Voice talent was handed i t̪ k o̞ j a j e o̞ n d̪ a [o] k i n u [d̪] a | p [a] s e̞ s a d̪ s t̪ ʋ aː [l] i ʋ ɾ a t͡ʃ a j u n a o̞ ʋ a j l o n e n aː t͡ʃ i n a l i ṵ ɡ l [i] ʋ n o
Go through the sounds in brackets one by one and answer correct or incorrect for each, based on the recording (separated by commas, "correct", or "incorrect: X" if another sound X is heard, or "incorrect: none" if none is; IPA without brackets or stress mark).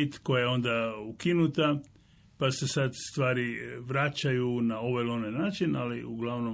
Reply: incorrect: u, incorrect: t̪, correct, incorrect: ɾ, incorrect: a